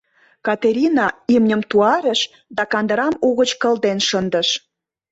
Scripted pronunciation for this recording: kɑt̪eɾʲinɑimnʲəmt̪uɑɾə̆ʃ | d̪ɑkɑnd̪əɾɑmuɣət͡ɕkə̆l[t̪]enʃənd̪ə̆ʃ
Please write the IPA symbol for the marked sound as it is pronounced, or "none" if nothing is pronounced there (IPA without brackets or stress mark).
d̪